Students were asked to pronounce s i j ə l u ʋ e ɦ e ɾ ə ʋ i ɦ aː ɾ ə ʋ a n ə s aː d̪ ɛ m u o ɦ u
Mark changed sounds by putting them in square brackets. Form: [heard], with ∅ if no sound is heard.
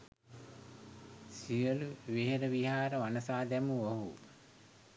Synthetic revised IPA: s i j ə l u ʋ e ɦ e ɾ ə ʋ i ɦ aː ɾ ə ʋ a n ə s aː d̪ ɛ m u o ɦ u